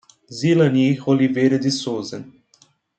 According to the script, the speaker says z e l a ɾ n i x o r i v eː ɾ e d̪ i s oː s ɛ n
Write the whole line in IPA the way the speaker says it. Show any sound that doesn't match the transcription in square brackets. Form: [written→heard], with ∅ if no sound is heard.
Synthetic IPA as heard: z [e→i] l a [ɾ→∅] n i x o [r→l] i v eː ɾ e d̪ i s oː [s→z] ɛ n